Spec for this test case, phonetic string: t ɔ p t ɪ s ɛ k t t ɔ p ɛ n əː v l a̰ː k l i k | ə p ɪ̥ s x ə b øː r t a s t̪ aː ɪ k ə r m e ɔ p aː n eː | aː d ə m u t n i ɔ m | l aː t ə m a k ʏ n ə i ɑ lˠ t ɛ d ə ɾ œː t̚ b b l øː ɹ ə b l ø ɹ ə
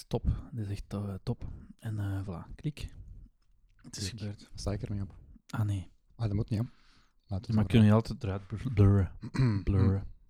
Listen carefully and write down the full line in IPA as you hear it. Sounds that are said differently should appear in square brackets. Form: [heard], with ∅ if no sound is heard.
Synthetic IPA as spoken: t ɔ p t ɪ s ɛ [x] t t ɔ p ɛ n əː v l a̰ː k l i k | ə [t] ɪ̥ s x ə b øː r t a s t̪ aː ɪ k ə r m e ɔ p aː n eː | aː d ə m u t n i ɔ m | l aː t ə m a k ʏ n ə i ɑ lˠ t ɛ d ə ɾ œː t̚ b b l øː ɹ ə b l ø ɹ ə